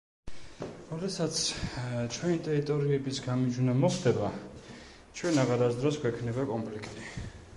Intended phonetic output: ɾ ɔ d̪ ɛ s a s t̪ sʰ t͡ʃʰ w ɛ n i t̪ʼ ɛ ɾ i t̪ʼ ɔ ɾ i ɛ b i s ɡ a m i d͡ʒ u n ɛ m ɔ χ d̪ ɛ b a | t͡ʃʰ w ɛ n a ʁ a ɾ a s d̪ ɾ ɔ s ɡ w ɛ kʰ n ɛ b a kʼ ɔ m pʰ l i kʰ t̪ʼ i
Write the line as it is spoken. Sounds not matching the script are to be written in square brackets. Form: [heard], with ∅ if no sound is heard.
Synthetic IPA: ɾ ɔ d̪ ɛ s a [∅] t̪ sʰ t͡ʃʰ w ɛ n i t̪ʼ ɛ ɾ i t̪ʼ ɔ ɾ i ɛ b i s ɡ a m i d͡ʒ u n [a] m ɔ χ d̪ ɛ b a | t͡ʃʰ w ɛ n a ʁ a ɾ a s d̪ ɾ ɔ s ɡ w ɛ kʰ n ɛ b a kʼ ɔ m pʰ l i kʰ t̪ʼ i